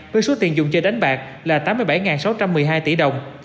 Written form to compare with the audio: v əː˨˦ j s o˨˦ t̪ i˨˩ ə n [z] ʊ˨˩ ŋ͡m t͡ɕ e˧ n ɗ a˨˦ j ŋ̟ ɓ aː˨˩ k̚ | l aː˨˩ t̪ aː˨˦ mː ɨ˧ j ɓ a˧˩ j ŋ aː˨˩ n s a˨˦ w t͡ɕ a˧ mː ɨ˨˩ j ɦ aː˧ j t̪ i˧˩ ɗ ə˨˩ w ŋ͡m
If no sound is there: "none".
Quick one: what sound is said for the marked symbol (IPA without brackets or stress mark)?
z